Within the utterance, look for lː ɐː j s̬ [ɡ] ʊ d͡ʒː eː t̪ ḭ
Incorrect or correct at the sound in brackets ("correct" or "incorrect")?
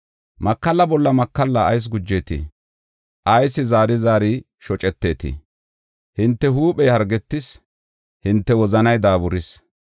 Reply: correct